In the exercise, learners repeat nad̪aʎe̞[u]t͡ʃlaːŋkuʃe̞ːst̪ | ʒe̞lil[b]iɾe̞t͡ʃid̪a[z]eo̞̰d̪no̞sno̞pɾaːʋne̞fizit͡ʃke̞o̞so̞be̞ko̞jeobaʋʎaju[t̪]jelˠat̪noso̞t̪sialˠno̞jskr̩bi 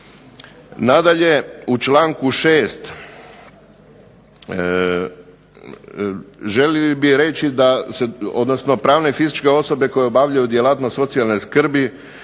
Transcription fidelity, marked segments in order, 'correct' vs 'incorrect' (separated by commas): correct, correct, incorrect, incorrect